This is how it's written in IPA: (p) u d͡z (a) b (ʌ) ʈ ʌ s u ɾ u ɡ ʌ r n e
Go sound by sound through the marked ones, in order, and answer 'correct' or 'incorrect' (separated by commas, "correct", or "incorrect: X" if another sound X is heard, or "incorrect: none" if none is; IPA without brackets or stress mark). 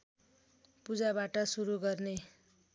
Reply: correct, correct, incorrect: a